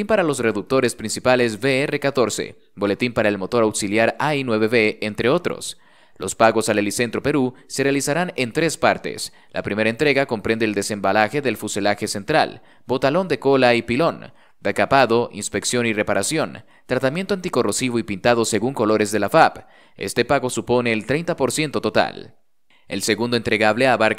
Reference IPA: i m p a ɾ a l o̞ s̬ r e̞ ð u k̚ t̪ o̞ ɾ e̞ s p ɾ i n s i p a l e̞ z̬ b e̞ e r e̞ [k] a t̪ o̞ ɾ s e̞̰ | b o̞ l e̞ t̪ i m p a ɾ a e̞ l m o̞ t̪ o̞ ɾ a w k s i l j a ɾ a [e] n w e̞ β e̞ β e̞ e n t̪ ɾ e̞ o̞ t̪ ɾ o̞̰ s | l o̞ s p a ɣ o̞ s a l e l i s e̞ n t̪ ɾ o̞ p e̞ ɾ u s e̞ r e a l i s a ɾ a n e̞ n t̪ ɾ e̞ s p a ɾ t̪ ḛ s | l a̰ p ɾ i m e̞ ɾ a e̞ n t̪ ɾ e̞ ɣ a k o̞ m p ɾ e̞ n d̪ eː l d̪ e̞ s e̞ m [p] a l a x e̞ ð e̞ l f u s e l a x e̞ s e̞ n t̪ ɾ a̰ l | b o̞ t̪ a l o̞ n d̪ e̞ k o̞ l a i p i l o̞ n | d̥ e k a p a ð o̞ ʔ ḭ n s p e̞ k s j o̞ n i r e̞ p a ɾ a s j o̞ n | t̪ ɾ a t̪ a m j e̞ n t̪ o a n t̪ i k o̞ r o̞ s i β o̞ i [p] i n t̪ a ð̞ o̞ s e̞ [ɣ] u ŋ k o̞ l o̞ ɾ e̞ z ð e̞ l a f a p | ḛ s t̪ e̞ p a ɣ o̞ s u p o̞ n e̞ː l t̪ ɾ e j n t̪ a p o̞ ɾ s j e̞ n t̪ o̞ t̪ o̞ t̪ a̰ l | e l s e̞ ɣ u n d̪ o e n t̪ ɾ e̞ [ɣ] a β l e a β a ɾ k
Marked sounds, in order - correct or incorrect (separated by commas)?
correct, incorrect, incorrect, correct, correct, correct